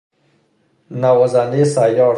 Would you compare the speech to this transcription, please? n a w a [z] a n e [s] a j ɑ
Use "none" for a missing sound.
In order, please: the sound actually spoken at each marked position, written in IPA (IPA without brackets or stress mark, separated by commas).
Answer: z, s